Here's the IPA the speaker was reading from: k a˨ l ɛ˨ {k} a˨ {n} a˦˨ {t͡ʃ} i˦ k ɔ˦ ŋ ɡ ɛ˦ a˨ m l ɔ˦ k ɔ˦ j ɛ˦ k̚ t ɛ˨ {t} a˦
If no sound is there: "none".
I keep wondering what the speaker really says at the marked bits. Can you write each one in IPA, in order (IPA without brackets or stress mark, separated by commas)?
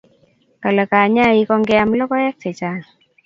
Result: k, ɲ, none, t͡ʃ